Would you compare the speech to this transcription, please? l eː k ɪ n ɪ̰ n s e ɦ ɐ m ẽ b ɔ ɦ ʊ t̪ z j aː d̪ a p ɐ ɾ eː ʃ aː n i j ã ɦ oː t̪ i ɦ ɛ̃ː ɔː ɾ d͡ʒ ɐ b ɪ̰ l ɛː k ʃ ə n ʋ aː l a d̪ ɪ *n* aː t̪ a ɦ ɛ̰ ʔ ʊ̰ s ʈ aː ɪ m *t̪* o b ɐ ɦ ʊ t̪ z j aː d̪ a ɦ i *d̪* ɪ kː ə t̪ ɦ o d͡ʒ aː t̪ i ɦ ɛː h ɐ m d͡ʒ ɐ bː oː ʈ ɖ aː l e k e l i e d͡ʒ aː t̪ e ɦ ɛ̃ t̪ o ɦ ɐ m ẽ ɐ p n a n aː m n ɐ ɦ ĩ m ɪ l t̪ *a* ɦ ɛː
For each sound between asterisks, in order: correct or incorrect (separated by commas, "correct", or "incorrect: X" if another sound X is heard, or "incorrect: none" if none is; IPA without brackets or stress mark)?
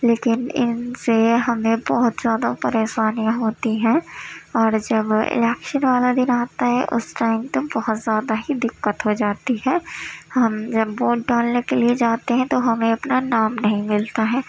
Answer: correct, correct, correct, correct